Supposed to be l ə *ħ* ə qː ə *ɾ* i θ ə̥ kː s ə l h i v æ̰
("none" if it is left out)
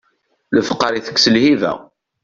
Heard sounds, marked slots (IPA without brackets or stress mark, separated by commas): f, ɾ